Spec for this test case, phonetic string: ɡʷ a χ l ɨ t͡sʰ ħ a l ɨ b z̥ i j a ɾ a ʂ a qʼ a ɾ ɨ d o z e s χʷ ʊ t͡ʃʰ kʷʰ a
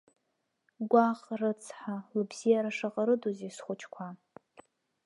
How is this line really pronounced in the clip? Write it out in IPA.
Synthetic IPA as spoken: ɡʷ a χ r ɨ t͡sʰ ħ a l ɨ b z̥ i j a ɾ a ʂ a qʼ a ɾ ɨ d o z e s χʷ ʊ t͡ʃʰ kʷʰ a